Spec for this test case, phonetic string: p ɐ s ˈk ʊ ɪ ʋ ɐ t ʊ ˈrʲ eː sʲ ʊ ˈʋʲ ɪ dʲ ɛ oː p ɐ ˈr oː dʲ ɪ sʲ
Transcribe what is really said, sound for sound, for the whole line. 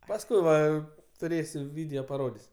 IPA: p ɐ s ˈk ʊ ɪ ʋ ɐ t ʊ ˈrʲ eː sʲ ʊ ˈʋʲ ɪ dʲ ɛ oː p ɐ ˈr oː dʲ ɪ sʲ